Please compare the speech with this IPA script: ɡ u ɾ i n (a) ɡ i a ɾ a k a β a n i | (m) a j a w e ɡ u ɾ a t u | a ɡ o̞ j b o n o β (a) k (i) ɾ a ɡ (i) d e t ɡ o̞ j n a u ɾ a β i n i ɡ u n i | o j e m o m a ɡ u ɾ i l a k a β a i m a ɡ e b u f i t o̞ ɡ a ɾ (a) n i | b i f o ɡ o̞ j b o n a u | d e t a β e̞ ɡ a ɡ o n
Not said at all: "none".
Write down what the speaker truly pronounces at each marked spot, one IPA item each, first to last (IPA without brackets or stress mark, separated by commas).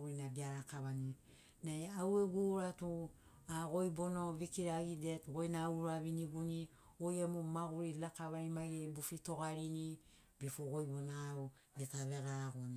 a, n, i, i, i, i